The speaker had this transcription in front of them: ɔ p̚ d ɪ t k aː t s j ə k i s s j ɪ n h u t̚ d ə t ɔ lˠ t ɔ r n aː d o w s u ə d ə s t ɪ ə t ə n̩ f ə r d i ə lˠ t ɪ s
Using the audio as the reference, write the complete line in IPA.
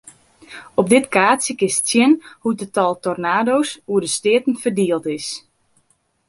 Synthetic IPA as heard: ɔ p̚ d ɪ t k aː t s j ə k ɪ s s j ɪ n h u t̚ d ə t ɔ lˠ t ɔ r n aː d o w s u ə d ə s t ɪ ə t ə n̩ f ə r d i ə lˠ t ɪ s